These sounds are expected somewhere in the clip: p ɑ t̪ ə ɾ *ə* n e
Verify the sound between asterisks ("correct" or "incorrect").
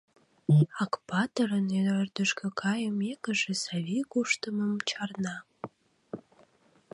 correct